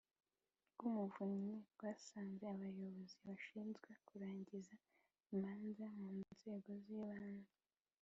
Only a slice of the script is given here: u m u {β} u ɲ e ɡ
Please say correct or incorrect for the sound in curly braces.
incorrect